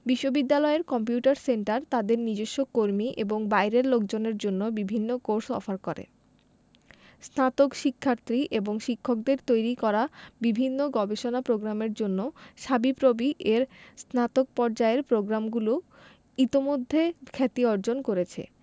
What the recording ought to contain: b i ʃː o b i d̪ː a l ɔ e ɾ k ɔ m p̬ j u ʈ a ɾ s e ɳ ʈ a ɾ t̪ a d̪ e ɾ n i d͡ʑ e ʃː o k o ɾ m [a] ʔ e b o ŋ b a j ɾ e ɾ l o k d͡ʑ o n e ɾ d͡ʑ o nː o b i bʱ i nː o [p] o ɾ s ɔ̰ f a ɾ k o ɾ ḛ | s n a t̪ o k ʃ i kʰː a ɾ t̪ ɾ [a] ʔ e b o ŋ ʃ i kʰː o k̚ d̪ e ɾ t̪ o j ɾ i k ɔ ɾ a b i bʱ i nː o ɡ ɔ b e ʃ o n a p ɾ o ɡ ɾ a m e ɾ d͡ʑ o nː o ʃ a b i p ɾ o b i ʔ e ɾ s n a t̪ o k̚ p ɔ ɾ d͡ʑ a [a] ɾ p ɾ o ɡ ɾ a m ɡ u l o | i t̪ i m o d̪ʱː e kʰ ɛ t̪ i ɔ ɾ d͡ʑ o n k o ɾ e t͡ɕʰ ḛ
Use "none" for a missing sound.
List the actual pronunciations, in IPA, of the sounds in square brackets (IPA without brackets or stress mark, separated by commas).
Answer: i, k, i, e